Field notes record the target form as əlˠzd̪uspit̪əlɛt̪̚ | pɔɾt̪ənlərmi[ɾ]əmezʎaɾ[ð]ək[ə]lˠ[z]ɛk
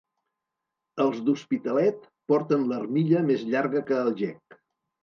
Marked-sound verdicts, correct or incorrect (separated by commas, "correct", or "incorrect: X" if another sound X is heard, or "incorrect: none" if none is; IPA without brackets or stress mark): incorrect: ʎ, incorrect: ɣ, incorrect: əː, incorrect: ʒ